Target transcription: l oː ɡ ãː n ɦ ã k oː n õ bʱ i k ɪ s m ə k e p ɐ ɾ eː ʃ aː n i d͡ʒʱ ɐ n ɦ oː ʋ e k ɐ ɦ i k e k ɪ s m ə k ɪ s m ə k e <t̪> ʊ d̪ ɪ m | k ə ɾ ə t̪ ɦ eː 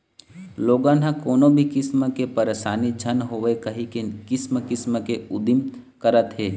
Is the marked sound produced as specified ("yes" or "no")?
no